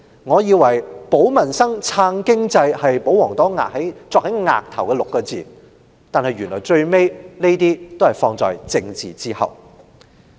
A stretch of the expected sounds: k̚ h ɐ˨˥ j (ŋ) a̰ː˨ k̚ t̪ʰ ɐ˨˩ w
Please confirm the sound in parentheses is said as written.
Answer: yes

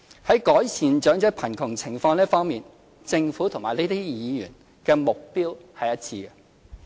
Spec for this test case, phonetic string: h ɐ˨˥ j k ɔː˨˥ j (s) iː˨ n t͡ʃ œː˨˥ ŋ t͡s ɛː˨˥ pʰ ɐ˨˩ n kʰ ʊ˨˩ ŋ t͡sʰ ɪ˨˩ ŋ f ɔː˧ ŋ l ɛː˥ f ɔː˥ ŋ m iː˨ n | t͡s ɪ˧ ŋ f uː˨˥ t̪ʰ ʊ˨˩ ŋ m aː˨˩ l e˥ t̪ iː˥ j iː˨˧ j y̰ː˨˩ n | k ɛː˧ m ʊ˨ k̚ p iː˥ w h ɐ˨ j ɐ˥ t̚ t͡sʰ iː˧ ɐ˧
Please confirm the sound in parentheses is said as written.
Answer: yes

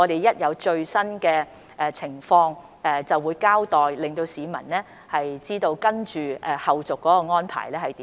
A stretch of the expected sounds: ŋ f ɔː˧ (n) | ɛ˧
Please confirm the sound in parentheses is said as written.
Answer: no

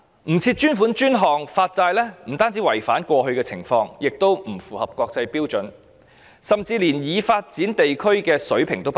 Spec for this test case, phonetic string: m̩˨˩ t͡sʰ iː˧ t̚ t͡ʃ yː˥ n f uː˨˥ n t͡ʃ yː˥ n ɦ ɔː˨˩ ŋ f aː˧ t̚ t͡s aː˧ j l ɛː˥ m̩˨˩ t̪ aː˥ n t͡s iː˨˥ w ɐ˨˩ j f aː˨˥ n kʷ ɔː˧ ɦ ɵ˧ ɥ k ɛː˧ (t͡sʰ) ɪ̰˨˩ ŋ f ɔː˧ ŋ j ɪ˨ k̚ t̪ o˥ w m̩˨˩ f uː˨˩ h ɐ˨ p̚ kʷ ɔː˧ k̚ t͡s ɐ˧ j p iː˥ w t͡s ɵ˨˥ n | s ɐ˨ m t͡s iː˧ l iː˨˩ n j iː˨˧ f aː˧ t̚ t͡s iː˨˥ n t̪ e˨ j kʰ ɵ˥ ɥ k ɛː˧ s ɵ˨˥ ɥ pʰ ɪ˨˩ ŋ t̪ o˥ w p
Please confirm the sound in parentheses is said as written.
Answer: yes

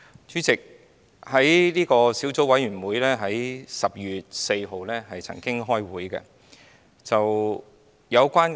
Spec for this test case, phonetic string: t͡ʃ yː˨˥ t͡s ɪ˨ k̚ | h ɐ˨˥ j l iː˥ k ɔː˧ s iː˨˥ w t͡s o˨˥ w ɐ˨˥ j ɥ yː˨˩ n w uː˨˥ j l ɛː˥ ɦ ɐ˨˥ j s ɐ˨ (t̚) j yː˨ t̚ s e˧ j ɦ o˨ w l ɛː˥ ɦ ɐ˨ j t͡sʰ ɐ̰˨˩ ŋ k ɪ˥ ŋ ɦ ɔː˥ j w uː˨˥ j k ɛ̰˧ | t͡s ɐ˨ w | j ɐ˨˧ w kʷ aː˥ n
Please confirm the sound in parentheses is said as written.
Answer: no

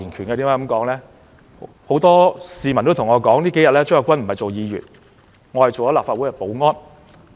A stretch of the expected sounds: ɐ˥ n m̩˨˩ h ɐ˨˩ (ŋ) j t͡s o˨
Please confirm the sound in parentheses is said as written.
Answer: no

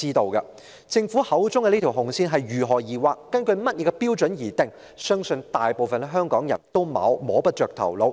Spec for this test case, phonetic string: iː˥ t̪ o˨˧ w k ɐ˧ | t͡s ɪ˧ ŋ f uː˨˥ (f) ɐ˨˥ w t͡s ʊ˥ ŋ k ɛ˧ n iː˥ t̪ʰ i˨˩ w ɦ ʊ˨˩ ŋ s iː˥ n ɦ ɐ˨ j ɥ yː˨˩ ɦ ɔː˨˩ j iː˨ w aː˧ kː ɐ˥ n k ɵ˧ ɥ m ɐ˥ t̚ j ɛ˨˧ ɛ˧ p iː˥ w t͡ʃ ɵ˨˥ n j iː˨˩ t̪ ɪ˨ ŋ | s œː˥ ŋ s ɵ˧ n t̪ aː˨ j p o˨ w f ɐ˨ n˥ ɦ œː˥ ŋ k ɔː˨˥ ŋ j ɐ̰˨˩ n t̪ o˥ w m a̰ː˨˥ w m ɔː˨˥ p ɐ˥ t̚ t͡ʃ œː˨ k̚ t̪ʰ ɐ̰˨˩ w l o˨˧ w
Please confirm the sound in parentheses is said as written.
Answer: no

